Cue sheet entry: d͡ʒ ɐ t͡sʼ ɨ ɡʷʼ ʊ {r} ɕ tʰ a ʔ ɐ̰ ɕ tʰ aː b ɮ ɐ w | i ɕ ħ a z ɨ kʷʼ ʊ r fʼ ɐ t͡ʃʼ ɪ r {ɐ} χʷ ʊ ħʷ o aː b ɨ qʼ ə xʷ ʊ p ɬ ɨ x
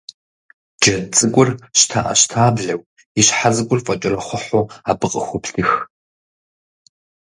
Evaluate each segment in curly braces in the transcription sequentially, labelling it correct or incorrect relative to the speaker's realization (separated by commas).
correct, correct